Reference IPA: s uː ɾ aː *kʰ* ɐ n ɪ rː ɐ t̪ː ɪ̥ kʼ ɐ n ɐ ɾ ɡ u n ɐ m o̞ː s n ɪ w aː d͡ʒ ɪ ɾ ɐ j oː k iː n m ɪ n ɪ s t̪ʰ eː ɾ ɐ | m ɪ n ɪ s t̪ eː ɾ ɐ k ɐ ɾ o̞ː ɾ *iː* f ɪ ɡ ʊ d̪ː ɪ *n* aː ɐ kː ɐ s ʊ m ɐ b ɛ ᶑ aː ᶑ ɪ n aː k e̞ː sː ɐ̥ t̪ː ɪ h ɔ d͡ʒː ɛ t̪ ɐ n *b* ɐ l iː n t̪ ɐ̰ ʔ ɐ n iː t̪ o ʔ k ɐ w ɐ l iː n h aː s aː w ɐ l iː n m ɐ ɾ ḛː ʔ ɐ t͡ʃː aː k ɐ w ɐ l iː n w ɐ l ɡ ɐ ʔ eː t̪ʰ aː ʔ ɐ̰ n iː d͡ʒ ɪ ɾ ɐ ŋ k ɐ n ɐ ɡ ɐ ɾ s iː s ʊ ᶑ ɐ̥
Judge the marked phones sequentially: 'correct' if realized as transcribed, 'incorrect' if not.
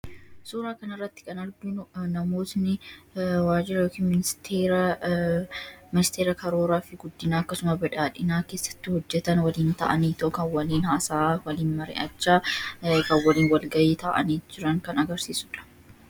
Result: incorrect, incorrect, correct, incorrect

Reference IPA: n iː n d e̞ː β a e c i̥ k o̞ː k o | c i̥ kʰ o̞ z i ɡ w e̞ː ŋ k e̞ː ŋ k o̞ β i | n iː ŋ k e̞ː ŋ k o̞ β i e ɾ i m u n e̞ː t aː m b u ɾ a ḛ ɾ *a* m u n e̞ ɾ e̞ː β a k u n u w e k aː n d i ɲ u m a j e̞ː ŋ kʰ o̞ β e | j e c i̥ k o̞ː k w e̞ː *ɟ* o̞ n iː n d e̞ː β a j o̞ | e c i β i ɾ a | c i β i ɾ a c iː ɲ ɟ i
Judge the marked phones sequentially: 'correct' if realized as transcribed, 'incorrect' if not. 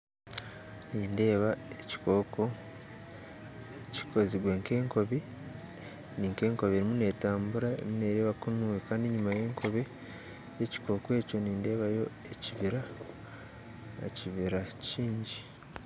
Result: incorrect, incorrect

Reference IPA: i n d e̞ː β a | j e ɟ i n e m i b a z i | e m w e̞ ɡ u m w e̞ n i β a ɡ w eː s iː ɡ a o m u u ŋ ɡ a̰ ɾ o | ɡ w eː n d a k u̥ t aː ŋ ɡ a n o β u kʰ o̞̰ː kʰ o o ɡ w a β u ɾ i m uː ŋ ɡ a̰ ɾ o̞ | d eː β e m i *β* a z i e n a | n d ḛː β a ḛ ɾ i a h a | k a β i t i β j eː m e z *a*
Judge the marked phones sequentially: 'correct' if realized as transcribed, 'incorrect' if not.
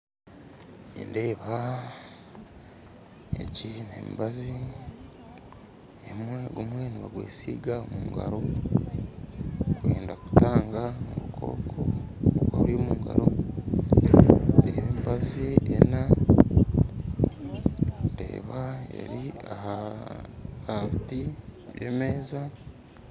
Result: incorrect, correct

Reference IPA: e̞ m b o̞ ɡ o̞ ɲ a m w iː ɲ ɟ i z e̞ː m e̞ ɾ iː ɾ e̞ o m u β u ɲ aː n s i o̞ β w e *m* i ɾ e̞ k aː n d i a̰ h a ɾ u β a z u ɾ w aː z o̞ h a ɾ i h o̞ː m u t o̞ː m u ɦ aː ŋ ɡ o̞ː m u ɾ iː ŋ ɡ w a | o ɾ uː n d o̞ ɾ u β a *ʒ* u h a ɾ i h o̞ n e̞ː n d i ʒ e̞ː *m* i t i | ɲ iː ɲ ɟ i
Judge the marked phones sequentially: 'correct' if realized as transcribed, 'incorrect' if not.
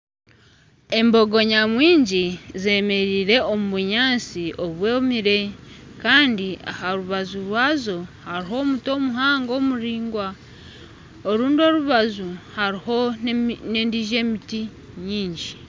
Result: correct, incorrect, correct

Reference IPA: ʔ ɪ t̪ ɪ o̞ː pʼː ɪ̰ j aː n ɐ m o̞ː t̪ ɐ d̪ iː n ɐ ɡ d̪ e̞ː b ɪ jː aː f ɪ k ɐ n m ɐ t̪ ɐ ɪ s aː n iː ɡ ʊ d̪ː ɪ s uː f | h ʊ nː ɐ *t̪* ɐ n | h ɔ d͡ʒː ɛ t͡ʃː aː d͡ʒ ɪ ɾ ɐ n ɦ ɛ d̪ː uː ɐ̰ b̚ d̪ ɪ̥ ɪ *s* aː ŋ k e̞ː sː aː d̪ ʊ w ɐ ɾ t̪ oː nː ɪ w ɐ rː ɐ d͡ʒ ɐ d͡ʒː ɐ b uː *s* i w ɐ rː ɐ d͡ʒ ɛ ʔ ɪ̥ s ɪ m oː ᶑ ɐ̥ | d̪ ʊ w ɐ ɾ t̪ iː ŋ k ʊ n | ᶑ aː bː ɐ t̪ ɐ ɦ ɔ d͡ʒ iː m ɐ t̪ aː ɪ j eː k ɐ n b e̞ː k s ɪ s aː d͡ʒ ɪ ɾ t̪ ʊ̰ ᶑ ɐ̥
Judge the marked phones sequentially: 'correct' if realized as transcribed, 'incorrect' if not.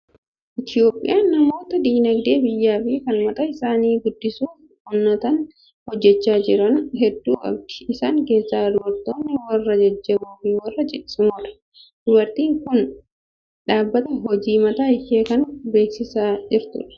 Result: correct, correct, incorrect

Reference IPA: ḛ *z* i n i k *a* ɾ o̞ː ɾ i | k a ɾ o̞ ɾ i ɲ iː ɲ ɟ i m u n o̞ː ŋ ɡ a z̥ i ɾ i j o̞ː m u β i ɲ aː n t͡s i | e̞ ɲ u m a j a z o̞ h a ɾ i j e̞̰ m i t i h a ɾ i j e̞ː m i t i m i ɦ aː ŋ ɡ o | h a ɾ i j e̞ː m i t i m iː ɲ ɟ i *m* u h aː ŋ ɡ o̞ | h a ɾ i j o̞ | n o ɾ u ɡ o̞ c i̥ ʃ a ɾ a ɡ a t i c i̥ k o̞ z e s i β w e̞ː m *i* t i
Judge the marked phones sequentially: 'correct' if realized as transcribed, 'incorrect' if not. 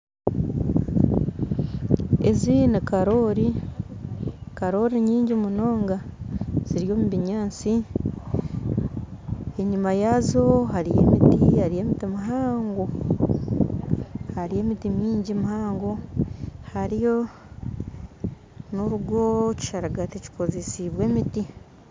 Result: correct, correct, correct, correct

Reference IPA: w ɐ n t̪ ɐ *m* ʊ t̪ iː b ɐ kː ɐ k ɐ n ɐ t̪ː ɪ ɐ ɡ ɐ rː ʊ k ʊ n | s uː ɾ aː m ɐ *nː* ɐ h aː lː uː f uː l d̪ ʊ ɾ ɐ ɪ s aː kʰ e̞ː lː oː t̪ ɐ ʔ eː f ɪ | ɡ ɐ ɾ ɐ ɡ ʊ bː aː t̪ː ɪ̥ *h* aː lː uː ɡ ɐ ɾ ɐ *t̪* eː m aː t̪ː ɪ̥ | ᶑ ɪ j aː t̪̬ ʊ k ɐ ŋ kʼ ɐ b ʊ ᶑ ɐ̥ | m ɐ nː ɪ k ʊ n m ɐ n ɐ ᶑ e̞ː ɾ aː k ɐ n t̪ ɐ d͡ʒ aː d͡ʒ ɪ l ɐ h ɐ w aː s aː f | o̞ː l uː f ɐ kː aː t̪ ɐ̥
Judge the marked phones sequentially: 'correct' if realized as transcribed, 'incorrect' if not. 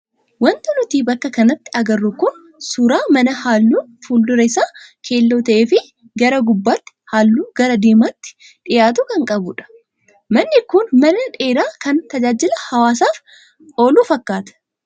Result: incorrect, incorrect, correct, incorrect

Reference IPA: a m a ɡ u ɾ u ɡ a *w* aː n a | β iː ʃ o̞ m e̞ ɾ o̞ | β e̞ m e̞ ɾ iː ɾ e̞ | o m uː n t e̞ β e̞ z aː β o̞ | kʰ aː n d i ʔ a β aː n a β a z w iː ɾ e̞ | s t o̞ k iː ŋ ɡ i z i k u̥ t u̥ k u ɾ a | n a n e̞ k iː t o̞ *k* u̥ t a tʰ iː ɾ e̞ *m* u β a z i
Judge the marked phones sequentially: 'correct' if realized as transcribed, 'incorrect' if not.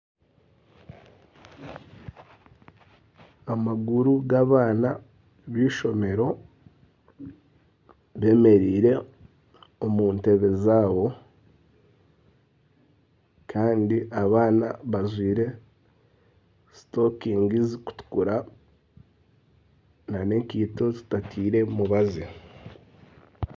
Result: incorrect, incorrect, correct

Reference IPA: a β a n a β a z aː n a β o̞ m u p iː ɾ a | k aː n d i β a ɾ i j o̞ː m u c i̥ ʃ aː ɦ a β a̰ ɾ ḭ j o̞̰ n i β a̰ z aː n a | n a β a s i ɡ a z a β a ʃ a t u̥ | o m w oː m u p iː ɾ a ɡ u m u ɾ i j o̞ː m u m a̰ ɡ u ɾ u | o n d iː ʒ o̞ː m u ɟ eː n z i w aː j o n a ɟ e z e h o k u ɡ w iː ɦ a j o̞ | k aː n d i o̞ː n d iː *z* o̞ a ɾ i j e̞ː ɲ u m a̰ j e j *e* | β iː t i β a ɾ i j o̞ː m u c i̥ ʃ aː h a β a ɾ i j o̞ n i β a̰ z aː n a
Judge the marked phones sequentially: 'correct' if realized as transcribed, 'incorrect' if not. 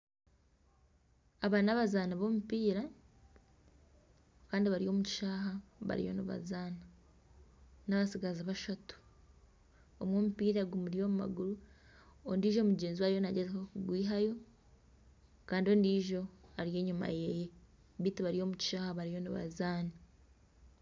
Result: incorrect, correct

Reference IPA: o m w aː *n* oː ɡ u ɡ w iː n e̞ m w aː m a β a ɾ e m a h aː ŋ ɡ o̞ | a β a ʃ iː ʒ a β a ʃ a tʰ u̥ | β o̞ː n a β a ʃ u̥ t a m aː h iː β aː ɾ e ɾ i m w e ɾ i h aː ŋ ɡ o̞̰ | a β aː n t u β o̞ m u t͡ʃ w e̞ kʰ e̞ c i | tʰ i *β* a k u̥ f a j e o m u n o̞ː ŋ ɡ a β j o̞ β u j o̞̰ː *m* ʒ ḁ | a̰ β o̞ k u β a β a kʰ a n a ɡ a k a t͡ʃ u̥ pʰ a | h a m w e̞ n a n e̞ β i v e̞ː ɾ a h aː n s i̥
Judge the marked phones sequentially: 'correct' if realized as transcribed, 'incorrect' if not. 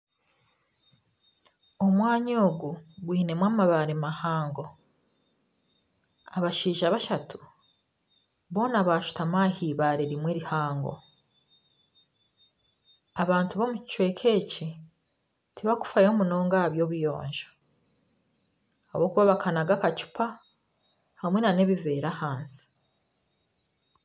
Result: incorrect, correct, incorrect

